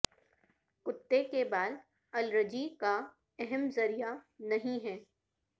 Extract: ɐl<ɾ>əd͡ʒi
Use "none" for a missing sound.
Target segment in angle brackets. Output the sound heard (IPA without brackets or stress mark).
ɾ